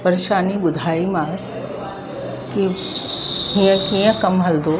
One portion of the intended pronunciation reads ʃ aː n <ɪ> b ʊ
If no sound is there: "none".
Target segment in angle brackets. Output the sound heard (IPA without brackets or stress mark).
i